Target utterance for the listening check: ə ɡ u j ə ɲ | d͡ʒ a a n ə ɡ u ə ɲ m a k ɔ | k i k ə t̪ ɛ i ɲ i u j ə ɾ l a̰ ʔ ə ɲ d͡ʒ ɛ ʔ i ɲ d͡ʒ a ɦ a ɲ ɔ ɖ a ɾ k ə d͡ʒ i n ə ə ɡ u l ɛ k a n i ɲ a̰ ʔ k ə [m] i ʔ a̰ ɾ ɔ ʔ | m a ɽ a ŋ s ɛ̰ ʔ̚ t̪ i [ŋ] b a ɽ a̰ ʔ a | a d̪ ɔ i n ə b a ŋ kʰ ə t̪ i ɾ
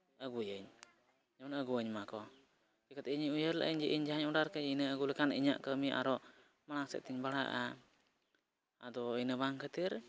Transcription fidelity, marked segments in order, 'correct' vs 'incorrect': correct, incorrect: ɲ

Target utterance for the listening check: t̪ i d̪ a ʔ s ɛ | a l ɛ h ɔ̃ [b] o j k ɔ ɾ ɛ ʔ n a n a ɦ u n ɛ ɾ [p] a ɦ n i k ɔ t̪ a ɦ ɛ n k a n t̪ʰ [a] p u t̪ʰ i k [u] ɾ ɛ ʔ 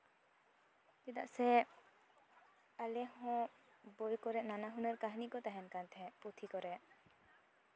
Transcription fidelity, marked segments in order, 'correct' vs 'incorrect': correct, incorrect: k, incorrect: ɛ, incorrect: ɔ

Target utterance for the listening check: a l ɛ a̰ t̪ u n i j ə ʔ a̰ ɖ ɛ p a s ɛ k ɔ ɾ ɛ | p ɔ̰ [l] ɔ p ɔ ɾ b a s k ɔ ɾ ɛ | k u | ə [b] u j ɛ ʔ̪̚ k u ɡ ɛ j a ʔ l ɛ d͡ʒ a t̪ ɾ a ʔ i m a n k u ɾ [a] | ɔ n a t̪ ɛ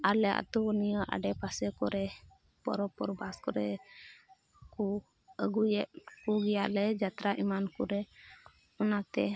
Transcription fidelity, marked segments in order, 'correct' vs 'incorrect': incorrect: ɾ, incorrect: ɡ, incorrect: ɛ

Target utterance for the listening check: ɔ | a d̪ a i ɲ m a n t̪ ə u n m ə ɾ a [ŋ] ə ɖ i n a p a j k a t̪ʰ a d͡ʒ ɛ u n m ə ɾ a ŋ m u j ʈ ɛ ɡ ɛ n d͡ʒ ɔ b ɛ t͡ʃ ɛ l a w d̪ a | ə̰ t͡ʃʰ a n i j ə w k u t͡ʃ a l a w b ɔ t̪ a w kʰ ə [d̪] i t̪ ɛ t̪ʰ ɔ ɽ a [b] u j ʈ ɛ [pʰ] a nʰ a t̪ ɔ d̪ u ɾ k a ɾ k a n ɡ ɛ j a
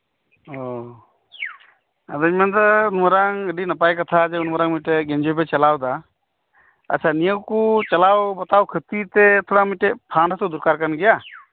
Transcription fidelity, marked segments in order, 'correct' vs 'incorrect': correct, incorrect: t̪, incorrect: m, correct

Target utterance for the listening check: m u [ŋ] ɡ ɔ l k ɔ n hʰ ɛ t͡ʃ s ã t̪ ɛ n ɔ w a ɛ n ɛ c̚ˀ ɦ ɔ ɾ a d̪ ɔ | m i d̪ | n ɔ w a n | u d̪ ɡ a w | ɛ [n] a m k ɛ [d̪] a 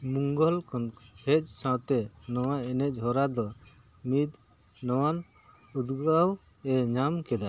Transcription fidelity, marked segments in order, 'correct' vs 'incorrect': correct, incorrect: ɲ, correct

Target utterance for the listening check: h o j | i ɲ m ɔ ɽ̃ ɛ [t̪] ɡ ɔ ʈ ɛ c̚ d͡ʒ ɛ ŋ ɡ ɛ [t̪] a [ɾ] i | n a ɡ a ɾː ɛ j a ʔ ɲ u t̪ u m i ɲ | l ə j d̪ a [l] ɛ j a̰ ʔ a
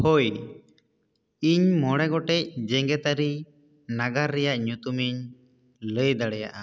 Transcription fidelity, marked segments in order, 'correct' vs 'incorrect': incorrect: none, correct, correct, incorrect: ɽ

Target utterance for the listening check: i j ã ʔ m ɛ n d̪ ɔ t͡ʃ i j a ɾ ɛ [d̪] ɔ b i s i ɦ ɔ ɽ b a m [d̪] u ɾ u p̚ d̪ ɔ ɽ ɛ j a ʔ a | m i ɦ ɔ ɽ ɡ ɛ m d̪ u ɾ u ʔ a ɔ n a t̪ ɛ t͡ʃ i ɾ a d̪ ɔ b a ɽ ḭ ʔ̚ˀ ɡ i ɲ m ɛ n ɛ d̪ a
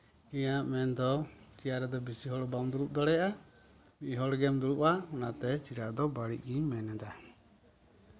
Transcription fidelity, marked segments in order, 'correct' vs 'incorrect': correct, correct

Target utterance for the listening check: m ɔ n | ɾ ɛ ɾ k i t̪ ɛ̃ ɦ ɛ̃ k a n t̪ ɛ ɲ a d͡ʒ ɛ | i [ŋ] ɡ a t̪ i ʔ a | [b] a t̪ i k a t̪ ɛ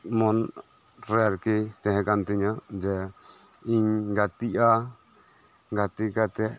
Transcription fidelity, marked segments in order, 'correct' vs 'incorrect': incorrect: ɲ, incorrect: ɡ

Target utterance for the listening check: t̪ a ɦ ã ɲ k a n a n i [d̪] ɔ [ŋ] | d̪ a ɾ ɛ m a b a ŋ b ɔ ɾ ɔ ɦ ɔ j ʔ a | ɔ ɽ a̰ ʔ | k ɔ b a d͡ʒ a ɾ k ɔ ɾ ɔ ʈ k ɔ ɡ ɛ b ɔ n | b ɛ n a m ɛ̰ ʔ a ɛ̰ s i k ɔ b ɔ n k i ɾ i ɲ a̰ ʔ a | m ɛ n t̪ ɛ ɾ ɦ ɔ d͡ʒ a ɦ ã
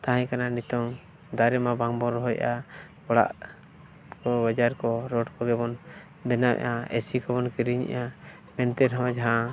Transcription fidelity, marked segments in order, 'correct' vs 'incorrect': incorrect: t̪, correct

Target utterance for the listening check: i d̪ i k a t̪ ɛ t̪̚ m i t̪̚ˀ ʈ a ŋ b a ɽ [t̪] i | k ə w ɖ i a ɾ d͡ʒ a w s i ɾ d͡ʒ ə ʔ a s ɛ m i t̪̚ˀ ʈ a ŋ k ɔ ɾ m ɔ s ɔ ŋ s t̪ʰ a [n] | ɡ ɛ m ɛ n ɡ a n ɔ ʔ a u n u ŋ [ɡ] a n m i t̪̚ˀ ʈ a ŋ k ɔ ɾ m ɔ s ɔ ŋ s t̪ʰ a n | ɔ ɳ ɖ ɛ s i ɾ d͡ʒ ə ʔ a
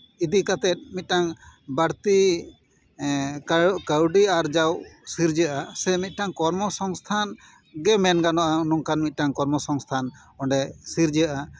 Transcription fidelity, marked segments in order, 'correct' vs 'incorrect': correct, correct, incorrect: k

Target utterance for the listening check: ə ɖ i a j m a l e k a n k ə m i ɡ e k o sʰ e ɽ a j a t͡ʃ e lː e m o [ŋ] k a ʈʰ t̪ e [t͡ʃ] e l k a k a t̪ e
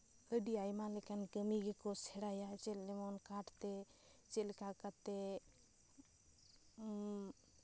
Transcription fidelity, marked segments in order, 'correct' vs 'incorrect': incorrect: n, correct

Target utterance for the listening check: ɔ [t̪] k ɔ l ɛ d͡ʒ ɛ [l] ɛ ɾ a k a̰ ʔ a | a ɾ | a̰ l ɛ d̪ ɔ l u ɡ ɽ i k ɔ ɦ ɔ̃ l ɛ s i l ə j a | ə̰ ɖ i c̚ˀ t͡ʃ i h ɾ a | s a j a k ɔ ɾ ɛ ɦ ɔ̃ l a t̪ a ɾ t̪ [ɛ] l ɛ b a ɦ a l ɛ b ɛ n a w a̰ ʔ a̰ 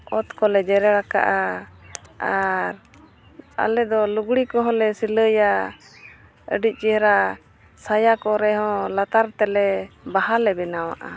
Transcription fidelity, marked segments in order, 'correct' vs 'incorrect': correct, incorrect: ɾ, correct

